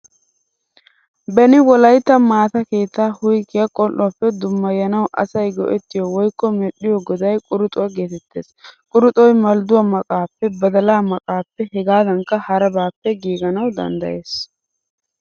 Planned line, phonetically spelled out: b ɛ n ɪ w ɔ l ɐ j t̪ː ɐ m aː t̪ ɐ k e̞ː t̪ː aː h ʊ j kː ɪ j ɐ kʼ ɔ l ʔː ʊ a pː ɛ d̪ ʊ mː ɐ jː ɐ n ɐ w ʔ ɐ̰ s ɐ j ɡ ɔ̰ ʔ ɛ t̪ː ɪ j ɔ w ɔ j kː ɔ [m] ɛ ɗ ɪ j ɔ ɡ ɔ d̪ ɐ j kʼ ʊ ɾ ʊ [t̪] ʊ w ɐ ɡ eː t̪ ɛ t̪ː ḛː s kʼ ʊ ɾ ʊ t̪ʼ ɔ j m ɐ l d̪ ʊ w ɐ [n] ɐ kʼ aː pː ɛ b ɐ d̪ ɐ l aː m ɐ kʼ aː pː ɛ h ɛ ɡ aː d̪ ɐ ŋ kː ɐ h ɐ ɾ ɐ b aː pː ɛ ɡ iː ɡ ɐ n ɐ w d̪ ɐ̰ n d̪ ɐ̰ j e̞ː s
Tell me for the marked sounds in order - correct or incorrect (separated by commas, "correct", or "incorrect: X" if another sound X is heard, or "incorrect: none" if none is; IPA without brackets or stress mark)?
correct, incorrect: t̪ʼ, incorrect: m